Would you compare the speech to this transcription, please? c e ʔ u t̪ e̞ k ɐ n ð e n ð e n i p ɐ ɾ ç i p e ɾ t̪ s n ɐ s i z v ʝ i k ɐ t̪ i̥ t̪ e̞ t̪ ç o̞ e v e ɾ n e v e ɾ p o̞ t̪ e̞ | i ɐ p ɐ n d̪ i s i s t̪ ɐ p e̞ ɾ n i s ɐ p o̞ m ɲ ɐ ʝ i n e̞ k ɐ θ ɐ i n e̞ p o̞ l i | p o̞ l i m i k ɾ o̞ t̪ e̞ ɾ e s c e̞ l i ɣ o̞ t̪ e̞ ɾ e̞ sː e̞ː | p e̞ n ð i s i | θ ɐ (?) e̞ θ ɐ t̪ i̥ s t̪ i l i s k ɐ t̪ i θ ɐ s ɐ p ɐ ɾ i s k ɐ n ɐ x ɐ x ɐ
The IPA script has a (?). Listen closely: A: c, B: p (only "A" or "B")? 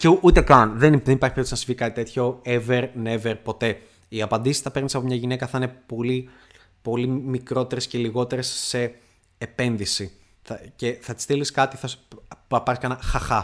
A